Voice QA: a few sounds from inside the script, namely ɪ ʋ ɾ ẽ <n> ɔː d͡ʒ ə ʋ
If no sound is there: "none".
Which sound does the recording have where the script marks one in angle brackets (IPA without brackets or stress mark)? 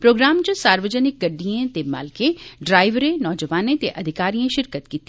n